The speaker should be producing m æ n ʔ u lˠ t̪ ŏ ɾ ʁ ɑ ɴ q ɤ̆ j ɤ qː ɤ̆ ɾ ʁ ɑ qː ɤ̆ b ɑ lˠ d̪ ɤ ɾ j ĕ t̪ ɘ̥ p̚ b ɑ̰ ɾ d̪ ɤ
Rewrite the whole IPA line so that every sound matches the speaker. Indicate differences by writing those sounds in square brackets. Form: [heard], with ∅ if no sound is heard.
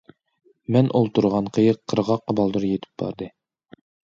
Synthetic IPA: m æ n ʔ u lˠ t̪ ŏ ɾ ʁ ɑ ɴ q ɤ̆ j ɤ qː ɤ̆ ɾ ʁ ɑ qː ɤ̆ b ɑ lˠ d̪ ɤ ɾ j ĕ t̪ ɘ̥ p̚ b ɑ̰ ɾ d̪ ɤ